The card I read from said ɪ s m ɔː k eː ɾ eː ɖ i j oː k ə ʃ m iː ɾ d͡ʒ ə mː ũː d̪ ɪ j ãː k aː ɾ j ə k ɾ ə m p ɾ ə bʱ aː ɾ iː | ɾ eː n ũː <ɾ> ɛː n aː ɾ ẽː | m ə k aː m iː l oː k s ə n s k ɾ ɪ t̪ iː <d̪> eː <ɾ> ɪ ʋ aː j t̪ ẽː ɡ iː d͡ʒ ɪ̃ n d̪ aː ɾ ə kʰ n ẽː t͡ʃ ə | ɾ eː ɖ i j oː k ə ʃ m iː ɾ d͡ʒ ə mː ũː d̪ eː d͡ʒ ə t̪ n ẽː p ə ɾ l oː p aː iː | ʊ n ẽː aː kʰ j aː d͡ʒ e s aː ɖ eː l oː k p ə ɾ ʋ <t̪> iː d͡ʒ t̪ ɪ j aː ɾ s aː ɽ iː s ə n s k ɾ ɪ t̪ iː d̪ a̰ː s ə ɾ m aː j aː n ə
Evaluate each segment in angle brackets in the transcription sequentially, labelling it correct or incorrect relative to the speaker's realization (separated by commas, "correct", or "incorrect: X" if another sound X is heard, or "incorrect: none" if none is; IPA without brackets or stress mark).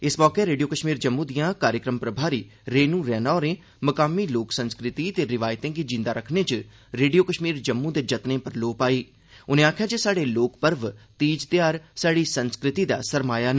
correct, incorrect: t̪, correct, correct